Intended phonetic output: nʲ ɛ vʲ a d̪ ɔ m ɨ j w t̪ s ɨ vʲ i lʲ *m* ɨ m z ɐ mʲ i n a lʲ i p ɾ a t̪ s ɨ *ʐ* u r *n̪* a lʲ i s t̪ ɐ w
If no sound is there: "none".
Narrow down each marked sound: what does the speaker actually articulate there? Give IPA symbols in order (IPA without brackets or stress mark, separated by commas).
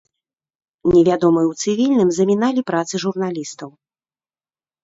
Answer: n, ʐ, n̪